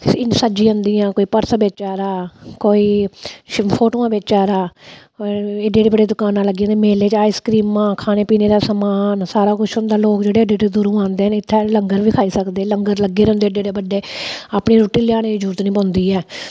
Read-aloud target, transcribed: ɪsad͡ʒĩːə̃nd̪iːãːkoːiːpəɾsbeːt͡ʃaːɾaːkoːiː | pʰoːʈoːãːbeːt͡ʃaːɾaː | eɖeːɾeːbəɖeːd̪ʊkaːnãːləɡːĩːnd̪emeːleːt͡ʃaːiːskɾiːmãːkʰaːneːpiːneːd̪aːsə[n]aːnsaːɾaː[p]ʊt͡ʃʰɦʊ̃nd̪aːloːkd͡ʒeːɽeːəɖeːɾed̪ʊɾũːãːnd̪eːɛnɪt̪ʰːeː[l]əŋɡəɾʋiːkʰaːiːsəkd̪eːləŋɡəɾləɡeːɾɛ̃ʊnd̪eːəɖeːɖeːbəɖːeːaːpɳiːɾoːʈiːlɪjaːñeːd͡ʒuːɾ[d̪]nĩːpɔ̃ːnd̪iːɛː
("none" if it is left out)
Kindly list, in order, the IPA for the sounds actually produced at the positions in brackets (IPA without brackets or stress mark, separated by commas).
m, k, l, t̪